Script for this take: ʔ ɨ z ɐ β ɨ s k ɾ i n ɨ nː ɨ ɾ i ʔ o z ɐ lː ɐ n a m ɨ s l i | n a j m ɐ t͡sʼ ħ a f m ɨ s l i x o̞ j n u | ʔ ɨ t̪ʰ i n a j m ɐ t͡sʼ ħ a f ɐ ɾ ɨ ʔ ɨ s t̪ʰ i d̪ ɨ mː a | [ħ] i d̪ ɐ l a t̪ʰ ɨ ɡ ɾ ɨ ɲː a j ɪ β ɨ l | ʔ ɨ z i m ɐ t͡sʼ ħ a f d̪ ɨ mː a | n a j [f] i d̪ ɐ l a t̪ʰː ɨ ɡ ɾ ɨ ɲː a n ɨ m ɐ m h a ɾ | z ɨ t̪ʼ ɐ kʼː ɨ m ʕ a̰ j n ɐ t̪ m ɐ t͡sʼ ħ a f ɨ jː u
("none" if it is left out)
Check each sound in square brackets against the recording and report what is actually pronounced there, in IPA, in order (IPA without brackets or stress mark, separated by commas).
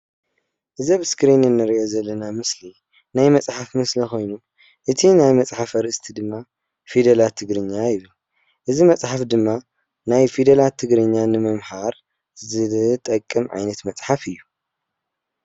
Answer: f, f